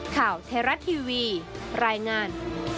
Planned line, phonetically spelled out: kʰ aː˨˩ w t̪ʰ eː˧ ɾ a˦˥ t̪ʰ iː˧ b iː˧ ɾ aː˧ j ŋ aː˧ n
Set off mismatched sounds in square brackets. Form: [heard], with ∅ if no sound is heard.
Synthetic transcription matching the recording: kʰ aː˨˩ w t̪ʰ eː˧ ɾ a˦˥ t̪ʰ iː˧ [w] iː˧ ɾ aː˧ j ŋ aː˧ n